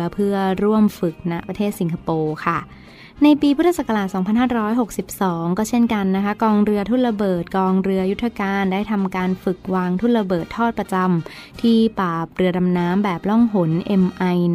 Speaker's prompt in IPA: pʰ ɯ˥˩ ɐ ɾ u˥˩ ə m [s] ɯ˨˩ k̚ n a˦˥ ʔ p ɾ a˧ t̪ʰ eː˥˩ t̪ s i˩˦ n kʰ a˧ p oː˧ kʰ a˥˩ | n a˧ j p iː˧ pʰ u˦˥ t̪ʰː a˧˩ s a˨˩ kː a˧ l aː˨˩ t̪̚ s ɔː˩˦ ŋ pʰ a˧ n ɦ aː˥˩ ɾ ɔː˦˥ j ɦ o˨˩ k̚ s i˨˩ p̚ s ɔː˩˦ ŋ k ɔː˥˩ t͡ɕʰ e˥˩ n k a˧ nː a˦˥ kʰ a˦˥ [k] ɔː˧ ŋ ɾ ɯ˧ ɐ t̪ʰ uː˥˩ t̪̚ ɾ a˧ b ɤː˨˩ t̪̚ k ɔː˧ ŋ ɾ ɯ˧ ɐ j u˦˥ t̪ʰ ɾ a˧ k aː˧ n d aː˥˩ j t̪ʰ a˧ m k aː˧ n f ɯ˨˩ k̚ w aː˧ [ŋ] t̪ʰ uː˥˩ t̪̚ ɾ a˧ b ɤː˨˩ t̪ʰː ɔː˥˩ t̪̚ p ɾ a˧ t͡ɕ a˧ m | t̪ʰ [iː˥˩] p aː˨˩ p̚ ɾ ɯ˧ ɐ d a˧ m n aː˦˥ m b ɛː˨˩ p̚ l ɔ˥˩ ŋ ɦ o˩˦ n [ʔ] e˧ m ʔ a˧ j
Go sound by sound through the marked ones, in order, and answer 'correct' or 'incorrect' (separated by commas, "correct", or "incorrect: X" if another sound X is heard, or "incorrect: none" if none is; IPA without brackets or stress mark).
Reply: incorrect: f, correct, correct, correct, correct